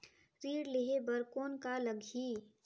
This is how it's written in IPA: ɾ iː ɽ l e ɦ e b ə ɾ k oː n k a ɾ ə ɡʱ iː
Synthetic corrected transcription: ɾ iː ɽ l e ɦ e b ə ɾ k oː n k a l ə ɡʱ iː